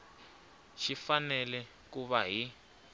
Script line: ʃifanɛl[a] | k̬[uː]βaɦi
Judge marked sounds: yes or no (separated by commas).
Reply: no, no